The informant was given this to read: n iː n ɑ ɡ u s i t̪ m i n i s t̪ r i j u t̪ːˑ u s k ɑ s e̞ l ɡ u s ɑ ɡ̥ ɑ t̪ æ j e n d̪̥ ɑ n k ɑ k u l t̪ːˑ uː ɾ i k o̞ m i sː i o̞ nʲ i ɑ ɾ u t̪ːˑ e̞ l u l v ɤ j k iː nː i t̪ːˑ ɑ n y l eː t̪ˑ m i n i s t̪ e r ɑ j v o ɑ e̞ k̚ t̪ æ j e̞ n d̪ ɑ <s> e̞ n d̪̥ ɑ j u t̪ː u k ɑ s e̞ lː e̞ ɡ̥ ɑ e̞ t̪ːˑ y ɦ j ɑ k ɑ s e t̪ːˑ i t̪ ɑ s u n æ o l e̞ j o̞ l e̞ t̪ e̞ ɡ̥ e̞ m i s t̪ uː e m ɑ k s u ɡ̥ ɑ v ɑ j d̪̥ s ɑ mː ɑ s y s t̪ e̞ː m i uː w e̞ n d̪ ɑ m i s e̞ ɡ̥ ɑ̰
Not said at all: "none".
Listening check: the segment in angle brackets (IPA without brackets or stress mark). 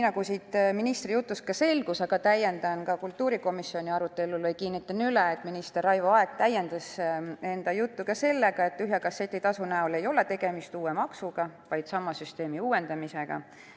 s